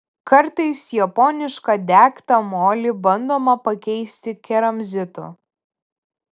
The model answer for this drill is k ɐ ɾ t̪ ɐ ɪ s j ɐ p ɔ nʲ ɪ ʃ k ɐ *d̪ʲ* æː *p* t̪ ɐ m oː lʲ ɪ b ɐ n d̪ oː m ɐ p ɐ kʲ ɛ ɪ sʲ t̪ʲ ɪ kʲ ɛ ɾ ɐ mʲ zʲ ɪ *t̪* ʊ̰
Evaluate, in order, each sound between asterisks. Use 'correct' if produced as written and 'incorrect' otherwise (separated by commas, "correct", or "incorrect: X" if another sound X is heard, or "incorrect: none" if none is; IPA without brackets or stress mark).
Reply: correct, incorrect: k, correct